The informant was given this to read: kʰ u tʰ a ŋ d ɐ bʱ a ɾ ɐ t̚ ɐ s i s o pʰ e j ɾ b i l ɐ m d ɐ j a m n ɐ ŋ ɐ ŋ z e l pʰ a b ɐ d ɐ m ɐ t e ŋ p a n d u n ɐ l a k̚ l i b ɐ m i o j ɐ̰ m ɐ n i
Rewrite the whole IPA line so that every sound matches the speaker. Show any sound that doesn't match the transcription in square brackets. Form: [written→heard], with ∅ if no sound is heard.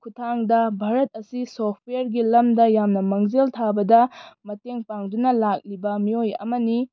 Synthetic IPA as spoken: kʰ u tʰ a ŋ d ɐ bʱ a ɾ ɐ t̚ ɐ s i s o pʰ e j ɾ [b→ɡ] i l ɐ m d ɐ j a m n ɐ [ŋ→m] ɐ ŋ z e l [pʰ→tʰ] a b ɐ d ɐ m ɐ t e ŋ p a [n→ŋ] d u n ɐ l a k̚ l i b ɐ m i o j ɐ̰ m ɐ n i